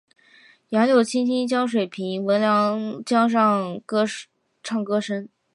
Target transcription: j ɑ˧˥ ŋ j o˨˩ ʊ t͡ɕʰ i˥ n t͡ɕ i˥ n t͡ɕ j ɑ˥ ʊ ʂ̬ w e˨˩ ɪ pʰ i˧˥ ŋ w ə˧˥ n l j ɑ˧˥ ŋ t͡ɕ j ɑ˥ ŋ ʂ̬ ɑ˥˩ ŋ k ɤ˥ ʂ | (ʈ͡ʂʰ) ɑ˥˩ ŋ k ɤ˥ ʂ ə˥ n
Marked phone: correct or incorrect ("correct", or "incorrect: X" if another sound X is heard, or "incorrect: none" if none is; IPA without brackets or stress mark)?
correct